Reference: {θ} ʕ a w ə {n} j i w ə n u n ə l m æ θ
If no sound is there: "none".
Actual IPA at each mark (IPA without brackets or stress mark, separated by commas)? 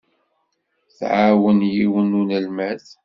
θ, n